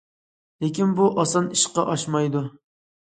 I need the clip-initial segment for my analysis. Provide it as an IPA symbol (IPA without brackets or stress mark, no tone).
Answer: l